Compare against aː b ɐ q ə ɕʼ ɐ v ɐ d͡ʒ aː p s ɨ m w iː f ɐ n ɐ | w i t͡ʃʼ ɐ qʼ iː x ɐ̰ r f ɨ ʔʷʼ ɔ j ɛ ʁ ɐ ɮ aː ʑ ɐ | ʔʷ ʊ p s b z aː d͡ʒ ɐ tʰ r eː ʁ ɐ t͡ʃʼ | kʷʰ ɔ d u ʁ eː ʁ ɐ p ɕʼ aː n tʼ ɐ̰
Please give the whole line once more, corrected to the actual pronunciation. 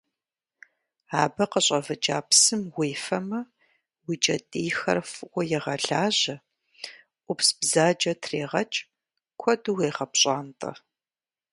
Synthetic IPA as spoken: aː b ɐ q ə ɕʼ ɐ v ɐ d͡ʒ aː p s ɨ m w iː f ɐ m ɐ | w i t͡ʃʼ ɐ tʼ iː x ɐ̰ r f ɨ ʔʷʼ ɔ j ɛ ʁ ɐ ɮ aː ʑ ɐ | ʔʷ ʊ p s b z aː d͡ʒ ɐ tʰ r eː ʁ ɐ t͡ʃʼ | kʷʰ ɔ d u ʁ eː ʁ ɐ p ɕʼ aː n tʼ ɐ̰

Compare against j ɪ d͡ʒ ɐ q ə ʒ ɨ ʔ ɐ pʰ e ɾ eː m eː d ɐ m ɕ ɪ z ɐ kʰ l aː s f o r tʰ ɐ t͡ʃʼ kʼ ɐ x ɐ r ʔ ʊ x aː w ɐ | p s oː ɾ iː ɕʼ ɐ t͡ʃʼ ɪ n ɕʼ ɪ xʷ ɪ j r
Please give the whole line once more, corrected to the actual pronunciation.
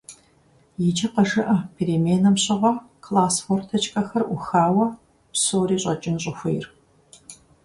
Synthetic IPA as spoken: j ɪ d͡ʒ ɐ q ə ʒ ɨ ʔ ɐ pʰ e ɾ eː m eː n ɐ m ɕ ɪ ʁ ɐ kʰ l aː s f o r tʰ ɐ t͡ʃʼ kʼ ɐ x ɐ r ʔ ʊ x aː w ɐ | p s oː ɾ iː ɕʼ ɐ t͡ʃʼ ɪ n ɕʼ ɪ xʷ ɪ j r

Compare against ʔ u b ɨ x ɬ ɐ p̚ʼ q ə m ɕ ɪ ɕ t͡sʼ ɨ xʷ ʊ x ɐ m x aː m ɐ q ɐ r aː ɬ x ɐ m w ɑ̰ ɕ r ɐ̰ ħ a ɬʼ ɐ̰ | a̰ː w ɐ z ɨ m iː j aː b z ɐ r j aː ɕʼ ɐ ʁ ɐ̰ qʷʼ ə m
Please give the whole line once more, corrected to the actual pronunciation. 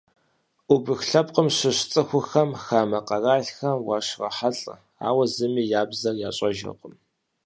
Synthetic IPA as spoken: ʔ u b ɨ x ɬ ɐ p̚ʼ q ə m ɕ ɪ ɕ t͡sʼ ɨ xʷ ʊ x ɐ m x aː m ɐ q ɐ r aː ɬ x ɐ m w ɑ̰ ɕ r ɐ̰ ħ a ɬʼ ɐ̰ | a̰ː w ɐ z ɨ m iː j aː b z ɐ r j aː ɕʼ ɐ ʒ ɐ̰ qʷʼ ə m

